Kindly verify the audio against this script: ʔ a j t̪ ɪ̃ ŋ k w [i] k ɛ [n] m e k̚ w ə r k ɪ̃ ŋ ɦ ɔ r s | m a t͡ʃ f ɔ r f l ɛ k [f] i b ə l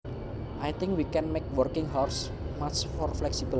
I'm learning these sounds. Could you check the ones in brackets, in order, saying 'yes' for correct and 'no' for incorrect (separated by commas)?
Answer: yes, yes, no